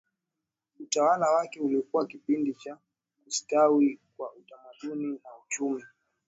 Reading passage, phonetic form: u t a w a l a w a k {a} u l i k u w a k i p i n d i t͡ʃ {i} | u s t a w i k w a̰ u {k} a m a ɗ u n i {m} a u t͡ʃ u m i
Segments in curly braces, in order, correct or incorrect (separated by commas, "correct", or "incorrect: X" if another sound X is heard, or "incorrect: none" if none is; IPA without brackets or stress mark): incorrect: ɛ, incorrect: a, incorrect: t, incorrect: n